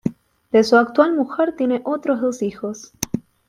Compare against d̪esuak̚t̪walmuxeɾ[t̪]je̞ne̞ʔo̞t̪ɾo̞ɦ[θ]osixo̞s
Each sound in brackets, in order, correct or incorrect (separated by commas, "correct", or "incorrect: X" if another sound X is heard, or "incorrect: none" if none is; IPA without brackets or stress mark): correct, incorrect: ð